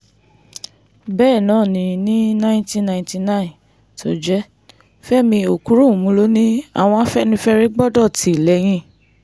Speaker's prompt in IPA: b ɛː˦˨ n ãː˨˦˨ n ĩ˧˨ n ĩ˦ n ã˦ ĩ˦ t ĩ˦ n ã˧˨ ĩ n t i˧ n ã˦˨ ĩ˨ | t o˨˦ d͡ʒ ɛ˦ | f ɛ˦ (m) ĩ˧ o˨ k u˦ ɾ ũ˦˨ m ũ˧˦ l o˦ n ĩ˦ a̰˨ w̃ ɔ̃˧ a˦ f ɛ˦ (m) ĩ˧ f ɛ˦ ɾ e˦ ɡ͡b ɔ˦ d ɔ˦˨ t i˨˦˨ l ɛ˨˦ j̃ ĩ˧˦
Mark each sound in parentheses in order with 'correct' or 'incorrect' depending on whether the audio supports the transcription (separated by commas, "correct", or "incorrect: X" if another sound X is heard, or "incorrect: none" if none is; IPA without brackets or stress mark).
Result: correct, incorrect: n